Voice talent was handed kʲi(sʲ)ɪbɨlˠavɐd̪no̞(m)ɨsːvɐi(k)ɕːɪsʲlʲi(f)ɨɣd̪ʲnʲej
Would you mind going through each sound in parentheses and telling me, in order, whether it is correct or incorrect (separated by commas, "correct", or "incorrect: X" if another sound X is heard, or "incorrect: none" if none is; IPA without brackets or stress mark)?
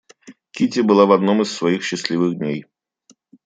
incorrect: tʲ, correct, incorrect: x, incorrect: v